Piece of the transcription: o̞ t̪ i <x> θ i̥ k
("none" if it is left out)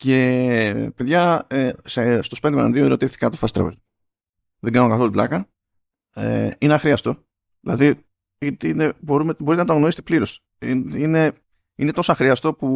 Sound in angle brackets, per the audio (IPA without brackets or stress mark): f